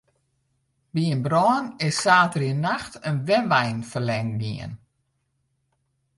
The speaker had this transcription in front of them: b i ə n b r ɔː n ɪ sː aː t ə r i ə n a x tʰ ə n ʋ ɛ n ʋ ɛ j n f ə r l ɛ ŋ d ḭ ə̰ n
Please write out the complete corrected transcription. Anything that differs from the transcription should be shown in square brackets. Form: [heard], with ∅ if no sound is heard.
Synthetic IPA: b i ə n b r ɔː n ɪ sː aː t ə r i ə n a x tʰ ə n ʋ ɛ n ʋ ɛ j n f ə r l ɛ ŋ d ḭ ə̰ n

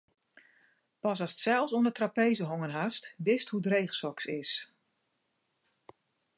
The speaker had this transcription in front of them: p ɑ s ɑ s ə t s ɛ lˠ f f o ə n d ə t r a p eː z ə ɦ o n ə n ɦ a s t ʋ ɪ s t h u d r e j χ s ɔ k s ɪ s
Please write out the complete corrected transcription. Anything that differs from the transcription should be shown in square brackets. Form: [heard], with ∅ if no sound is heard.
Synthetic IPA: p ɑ s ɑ s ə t s ɛ lˠ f [s] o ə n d ə t r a p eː z ə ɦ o [ŋ] ə n ɦ a s t ʋ ɪ s t h u d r e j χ s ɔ k s ɪ s

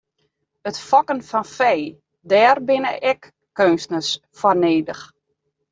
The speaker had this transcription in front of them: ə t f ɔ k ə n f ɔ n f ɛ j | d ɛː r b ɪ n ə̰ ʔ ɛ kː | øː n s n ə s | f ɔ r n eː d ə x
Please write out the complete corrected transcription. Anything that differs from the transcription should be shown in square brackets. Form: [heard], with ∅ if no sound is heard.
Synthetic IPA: ə t f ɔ k ə n f ɔ n f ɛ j | d ɛː r b ɪ n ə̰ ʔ ɛ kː | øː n s n ə s | f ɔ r n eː d ə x

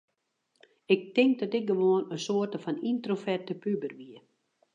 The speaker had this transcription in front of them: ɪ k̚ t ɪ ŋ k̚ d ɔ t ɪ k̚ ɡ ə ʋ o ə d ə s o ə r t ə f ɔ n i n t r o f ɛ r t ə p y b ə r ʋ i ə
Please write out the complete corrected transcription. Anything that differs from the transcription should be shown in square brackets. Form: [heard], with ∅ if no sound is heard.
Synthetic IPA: ɪ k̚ t ɪ ŋ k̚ d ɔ t ɪ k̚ ɡ ə ʋ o ə [n] ə s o ə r t ə f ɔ n i n t r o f ɛ r t ə p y b ə r ʋ i ə

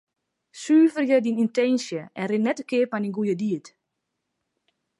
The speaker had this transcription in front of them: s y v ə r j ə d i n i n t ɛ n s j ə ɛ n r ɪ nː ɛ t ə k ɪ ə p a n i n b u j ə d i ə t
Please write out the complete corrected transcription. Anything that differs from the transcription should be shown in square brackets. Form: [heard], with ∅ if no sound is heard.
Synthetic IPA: s [yː] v ə r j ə d i n i n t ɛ n s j ə ɛ n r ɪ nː ɛ t ə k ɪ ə p a n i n [ɡ] u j ə d i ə t

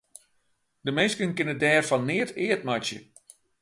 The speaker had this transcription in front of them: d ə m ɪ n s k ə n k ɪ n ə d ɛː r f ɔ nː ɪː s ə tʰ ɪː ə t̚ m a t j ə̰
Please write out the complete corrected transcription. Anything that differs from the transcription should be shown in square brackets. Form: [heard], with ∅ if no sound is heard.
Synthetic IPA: d ə m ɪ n s k ə n k ɪ n ə d ɛː r f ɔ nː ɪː [∅] ə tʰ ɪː ə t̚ m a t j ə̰

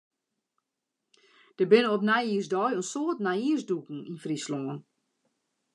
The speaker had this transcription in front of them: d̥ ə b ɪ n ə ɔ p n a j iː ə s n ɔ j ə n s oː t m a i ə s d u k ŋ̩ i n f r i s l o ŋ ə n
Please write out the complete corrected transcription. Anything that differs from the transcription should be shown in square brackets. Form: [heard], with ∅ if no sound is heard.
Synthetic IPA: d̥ ə b ɪ n ə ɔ p n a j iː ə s [d] ɔ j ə n s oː t [n] a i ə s d u k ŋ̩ i n f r i s l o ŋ ə n

